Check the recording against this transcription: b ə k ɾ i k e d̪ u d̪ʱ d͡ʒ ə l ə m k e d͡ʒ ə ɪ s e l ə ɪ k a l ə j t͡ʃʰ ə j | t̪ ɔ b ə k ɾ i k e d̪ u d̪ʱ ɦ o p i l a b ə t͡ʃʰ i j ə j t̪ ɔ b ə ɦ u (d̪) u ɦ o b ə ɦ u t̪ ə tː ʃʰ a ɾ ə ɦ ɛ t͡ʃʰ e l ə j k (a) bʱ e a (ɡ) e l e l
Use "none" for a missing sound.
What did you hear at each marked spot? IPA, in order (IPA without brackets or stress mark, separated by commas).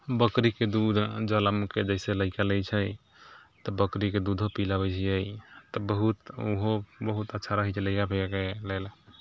t̪, a, k